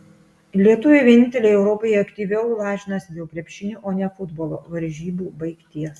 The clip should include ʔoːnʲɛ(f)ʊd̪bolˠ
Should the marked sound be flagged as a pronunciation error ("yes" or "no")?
no